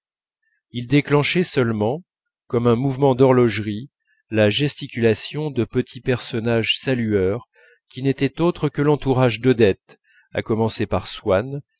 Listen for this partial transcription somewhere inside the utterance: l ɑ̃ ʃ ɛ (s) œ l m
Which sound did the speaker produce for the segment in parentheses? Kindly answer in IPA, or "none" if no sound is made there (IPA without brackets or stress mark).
s